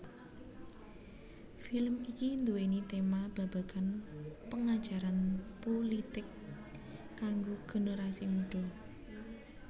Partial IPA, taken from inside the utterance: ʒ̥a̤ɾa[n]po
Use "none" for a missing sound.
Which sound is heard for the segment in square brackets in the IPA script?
n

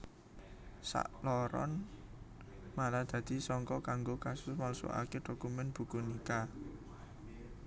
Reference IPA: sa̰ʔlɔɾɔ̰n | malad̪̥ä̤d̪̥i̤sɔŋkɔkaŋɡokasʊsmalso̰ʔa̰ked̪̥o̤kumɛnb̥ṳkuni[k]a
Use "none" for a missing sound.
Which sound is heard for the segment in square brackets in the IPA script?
k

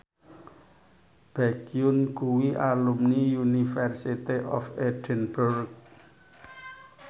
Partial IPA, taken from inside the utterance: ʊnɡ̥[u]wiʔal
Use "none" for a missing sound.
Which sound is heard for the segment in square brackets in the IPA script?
u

